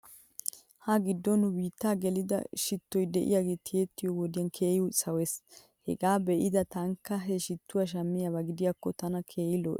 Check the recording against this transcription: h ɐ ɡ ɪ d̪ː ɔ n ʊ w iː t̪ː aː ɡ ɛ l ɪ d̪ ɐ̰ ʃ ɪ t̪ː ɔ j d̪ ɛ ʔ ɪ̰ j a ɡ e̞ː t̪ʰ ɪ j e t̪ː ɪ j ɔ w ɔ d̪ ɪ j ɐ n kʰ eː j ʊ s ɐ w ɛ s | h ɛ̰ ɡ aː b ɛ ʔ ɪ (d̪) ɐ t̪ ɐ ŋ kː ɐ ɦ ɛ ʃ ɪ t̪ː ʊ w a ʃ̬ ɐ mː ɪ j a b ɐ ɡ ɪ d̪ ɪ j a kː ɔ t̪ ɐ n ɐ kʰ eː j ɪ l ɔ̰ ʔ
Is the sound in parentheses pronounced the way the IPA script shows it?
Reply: yes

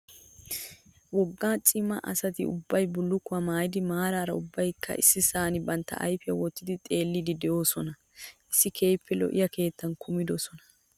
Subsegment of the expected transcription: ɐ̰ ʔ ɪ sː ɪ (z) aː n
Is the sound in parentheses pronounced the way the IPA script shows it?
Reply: no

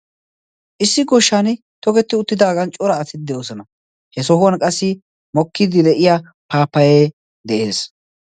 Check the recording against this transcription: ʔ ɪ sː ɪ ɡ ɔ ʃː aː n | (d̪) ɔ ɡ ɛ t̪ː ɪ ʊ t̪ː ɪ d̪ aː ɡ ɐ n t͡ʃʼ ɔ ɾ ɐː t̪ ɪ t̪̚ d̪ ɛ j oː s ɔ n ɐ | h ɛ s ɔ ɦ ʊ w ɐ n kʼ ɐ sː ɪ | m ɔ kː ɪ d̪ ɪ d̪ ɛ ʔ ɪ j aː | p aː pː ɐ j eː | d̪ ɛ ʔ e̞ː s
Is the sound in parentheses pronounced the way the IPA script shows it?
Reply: no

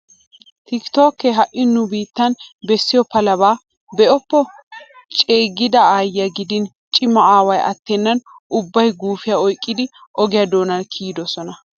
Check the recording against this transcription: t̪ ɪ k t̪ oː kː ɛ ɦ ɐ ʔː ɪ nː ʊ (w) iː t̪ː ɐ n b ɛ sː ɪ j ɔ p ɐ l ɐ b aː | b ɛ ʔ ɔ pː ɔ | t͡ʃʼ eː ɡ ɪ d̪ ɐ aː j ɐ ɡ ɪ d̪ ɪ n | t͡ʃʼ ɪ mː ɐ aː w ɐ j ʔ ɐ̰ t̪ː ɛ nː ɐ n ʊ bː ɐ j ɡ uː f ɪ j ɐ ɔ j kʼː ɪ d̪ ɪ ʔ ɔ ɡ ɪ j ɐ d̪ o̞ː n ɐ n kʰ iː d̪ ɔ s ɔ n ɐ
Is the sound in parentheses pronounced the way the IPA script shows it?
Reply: no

